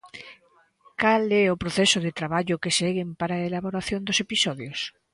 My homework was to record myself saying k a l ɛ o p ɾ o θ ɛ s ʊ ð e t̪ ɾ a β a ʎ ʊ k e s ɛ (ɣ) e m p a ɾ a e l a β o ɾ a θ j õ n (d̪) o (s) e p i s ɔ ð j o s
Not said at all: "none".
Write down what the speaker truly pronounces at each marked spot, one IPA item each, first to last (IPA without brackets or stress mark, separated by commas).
ɣ, d̪, s